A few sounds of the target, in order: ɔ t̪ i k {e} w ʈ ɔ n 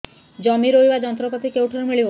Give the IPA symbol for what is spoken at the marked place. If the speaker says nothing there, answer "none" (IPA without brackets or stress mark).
e